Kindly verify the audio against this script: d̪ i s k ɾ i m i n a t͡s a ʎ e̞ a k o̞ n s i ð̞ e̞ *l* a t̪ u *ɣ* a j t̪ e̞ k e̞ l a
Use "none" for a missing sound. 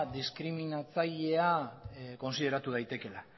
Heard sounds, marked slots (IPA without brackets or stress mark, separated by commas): ɾ, ð